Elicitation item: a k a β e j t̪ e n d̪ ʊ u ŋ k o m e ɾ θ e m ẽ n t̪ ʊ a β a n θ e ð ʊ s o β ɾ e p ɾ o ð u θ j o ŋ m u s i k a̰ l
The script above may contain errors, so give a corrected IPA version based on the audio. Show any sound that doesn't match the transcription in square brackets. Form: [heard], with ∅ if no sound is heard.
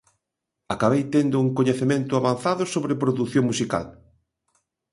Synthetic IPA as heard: a k a β e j t̪ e n d̪ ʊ u ŋ k o [ɲ] e [∅] θ e m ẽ n t̪ ʊ a β a n θ [a] ð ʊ s o β ɾ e p ɾ o ð u θ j o ŋ m u s i k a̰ l